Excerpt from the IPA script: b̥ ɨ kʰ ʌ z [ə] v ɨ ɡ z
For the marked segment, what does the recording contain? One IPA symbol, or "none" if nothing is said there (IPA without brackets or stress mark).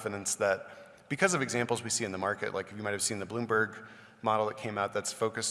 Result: ʌ